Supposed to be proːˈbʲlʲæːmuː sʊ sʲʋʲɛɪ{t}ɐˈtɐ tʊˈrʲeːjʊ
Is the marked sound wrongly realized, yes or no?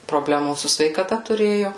yes